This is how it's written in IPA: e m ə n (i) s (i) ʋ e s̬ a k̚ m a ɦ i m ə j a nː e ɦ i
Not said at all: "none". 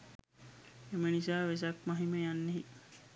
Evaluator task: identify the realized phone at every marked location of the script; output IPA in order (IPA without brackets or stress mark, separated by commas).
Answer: i, a